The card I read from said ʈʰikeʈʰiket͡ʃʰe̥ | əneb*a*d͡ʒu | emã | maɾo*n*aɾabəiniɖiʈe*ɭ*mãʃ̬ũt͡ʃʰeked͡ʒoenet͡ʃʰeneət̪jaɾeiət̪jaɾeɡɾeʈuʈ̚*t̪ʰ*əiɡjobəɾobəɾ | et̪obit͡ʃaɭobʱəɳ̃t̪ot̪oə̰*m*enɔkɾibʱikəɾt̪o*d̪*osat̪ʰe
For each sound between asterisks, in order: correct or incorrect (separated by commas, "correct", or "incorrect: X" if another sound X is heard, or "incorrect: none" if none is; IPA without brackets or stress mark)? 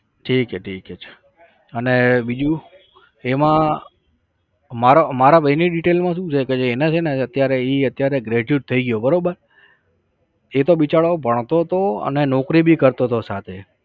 incorrect: i, incorrect: m, incorrect: l, correct, incorrect: n, incorrect: t̪